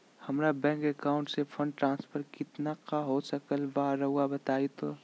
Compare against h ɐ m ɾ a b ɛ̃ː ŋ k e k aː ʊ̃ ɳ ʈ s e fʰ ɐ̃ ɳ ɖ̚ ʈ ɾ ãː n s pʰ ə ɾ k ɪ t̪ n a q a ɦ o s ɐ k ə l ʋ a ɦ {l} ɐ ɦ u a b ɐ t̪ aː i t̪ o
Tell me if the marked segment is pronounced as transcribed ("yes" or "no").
no